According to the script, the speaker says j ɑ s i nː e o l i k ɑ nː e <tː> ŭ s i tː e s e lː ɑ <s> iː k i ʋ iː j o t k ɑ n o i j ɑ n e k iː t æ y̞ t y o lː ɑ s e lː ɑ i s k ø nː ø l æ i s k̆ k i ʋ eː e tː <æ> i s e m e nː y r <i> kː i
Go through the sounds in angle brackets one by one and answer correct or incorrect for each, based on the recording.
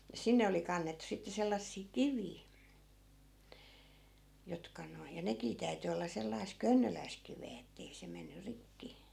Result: correct, incorrect, incorrect, correct

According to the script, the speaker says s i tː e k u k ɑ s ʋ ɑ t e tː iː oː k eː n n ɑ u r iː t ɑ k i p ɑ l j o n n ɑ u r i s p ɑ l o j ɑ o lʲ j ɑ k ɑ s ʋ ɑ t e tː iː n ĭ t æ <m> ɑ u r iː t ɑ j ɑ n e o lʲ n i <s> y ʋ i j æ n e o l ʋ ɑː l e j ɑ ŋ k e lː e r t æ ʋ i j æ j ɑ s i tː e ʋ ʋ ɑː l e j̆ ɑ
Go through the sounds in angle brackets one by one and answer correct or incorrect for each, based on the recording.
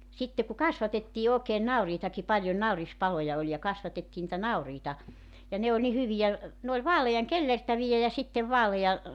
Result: incorrect, incorrect

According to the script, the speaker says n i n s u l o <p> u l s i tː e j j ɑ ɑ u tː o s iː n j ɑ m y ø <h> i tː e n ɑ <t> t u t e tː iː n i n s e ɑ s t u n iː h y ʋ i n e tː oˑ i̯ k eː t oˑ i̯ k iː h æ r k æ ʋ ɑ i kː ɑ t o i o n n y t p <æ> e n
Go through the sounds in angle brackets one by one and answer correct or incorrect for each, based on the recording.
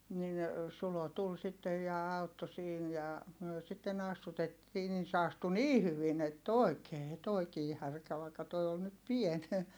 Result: incorrect, incorrect, incorrect, incorrect

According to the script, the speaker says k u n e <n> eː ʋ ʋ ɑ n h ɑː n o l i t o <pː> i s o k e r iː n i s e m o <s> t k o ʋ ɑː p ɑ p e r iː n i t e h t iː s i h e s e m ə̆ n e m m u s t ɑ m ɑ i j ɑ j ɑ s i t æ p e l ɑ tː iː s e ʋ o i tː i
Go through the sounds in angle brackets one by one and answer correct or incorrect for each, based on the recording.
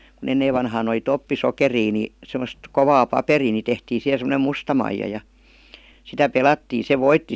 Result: incorrect, correct, correct

